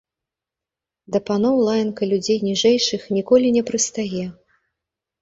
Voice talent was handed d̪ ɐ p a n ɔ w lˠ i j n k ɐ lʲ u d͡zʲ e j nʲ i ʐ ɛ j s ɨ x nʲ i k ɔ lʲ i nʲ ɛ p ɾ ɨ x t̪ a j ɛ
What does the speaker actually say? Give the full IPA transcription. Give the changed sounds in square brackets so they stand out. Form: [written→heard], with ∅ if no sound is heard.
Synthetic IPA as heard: d̪ ɐ p a n ɔ w lˠ [i→a] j n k ɐ lʲ u d͡zʲ e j nʲ i ʐ ɛ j [s→ʂ] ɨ x nʲ i k ɔ lʲ i nʲ ɛ p ɾ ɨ [x→s] t̪ a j ɛ